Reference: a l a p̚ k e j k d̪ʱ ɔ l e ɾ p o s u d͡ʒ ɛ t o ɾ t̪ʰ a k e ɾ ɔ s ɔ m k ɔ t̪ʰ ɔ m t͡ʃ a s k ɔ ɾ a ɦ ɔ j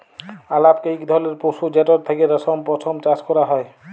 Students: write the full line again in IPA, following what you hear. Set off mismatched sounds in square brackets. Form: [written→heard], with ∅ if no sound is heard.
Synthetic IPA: a l a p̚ k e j k d̪ʱ ɔ l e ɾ p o s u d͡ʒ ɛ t [o→ɔ] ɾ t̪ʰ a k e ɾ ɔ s ɔ m [k→p] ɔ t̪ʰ ɔ m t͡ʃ a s k ɔ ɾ a ɦ ɔ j